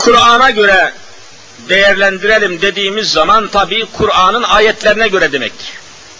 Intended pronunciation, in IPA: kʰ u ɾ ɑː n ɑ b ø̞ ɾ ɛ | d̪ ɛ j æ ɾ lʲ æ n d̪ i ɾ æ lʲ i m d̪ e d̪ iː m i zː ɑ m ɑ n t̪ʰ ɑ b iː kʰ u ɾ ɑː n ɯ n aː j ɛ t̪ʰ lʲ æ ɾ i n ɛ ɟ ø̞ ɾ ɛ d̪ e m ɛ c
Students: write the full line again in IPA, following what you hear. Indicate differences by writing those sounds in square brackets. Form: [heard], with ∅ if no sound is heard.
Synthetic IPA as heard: kʰ u ɾ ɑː n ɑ [ɟ] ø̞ ɾ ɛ | d̪ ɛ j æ ɾ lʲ æ n d̪ i ɾ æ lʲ i m d̪ e d̪ iː m i zː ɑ m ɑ n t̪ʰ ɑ b iː kʰ u ɾ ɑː n ɯ n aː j ɛ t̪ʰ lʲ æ ɾ i n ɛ ɟ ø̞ ɾ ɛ d̪ e m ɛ c